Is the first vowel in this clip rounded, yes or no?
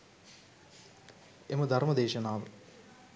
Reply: no